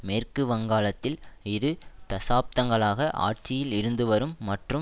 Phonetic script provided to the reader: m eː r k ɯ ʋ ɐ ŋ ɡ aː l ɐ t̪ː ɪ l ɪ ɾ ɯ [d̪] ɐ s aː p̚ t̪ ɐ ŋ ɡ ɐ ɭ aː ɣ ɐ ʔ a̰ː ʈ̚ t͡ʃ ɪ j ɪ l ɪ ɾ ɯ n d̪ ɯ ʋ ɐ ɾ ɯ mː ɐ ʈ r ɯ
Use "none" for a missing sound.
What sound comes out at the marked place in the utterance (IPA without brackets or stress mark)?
t̪